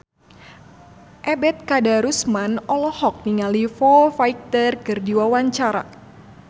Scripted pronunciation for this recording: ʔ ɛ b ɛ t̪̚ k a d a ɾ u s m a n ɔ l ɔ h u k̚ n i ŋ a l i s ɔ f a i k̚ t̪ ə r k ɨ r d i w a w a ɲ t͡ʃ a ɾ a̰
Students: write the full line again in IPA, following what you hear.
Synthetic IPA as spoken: ʔ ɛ b ɛ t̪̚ k a d a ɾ u s m a n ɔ l ɔ h ɔ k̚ n i ŋ a l i f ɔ f a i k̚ t̪ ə r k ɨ r d i w a w a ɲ t͡ʃ a ɾ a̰

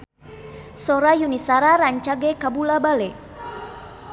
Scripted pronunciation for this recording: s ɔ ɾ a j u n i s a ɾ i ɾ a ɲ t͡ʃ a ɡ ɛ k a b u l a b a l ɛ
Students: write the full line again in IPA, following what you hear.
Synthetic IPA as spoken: s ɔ ɾ a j u n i s a ɾ a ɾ a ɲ t͡ʃ a ɡ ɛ k a b u l a b a l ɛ

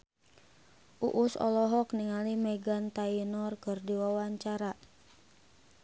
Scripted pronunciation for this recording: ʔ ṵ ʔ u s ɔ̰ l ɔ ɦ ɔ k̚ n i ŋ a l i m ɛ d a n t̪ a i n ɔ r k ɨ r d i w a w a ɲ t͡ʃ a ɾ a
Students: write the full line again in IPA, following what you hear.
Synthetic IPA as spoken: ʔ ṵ ʔ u s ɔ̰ l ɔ ɦ ɔ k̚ n i ŋ a l i m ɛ ɡ a n t̪ a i n ɔ r k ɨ r d i w a w a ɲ t͡ʃ a ɾ a

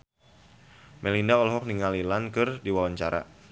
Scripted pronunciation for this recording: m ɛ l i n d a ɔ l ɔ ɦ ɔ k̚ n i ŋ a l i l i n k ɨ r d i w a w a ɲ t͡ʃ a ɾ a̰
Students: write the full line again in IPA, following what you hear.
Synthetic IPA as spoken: m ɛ l i n d a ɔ l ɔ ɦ ɔ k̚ n i ŋ a l i l a n k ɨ r d i w a w a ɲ t͡ʃ a ɾ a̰

